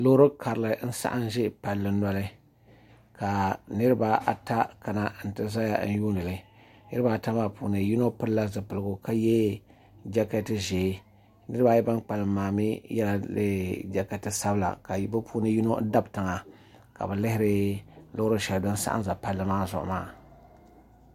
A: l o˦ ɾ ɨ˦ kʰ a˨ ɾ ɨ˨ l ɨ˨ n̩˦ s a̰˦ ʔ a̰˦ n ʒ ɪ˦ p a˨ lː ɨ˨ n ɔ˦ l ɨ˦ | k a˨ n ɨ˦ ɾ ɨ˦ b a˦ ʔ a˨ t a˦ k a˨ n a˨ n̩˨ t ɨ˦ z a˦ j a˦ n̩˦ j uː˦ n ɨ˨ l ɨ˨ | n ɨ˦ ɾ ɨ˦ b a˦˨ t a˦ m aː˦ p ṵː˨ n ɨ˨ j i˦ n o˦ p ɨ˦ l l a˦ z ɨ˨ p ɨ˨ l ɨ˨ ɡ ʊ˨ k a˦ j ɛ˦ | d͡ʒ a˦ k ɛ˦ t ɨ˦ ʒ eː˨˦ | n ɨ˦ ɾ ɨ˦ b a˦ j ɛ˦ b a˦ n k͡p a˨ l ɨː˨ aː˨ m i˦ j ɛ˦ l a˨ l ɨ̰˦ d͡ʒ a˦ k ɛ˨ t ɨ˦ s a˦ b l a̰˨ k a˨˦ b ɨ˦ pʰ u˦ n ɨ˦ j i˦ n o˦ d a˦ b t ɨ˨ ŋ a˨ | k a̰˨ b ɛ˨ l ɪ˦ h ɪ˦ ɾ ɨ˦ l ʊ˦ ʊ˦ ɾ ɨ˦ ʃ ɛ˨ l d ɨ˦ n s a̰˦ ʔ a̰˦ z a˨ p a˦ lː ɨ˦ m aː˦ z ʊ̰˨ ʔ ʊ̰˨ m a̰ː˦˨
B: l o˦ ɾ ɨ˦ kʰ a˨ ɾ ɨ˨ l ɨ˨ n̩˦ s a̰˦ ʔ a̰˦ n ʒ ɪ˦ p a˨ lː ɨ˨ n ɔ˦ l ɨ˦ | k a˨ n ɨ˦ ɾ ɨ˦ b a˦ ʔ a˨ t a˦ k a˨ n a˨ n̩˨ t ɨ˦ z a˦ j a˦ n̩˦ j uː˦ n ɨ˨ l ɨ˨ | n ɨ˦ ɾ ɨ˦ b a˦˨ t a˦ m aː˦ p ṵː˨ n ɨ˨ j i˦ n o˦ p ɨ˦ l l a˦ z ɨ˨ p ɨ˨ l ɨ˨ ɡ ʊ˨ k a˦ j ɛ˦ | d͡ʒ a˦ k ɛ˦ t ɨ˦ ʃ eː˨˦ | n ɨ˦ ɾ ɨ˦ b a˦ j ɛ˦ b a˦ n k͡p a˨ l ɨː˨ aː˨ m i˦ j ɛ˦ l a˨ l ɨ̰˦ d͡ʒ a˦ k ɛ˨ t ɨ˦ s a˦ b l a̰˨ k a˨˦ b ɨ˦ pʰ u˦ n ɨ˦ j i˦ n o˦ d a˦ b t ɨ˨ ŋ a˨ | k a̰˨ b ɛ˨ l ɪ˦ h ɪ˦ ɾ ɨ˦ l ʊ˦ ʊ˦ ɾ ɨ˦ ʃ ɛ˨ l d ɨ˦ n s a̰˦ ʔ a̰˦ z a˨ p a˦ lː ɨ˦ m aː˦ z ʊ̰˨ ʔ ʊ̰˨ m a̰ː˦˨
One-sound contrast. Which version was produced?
A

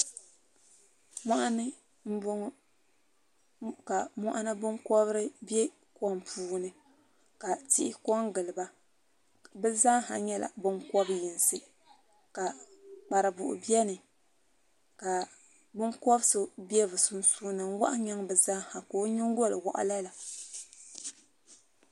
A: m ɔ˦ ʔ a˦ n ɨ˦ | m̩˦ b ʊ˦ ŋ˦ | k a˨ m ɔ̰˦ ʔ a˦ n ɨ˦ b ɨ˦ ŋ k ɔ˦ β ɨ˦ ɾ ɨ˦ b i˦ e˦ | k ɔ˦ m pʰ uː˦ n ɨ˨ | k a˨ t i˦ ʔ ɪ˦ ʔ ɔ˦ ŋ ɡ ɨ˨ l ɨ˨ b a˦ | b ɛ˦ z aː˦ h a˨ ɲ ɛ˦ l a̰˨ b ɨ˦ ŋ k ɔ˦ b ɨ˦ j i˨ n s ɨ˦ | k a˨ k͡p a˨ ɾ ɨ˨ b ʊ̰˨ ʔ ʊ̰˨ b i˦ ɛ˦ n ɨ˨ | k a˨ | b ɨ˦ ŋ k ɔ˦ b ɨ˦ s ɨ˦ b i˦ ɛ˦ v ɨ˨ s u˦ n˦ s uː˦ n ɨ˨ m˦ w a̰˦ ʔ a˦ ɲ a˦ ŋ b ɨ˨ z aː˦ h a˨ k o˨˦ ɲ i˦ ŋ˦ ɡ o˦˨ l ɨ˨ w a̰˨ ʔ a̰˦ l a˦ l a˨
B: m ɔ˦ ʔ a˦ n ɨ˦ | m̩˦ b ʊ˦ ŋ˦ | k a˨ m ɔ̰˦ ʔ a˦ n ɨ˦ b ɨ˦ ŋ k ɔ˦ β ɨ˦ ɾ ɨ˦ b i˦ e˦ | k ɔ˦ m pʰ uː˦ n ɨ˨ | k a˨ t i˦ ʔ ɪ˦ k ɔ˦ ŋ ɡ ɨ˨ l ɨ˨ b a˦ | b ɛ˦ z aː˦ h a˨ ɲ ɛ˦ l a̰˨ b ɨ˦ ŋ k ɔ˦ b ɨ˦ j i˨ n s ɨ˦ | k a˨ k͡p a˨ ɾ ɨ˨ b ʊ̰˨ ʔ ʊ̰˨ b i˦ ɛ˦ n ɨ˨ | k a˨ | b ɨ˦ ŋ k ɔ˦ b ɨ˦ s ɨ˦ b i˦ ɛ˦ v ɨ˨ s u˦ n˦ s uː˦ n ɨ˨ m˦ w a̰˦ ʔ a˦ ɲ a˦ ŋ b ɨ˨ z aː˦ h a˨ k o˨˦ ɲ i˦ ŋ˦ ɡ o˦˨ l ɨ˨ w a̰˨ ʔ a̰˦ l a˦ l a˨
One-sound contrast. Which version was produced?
B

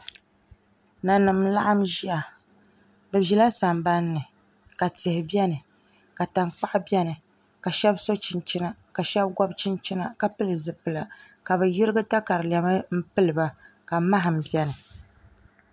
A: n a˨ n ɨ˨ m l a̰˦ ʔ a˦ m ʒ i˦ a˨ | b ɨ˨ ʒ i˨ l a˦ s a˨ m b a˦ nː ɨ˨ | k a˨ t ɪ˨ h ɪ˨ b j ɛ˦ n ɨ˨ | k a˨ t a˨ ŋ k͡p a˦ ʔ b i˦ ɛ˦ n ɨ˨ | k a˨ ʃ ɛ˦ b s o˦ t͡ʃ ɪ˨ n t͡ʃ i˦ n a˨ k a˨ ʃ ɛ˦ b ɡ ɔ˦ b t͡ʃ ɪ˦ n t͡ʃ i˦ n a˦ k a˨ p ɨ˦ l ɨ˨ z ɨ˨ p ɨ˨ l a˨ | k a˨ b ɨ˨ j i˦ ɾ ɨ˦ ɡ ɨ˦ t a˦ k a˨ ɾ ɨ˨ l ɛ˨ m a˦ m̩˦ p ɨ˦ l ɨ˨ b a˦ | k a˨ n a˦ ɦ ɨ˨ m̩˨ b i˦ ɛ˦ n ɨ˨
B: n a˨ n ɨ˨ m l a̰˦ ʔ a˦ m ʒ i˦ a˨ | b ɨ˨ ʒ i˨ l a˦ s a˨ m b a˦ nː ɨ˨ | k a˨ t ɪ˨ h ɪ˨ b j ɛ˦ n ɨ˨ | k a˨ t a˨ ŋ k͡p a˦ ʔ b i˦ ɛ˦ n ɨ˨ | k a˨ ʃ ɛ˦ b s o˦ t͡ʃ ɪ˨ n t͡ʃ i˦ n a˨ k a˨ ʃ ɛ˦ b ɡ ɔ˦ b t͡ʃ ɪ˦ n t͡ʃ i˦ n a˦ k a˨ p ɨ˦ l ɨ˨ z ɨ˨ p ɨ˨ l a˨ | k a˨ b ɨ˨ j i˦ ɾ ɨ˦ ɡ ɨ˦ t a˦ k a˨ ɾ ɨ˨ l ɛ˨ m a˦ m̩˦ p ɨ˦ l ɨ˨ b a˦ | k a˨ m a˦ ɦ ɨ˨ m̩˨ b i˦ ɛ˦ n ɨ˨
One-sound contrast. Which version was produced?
B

